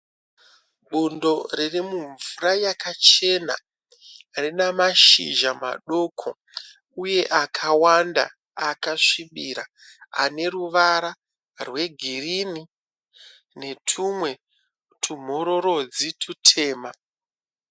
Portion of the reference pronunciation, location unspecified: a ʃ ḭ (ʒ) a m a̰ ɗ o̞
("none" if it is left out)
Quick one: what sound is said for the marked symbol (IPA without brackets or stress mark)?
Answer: ʒ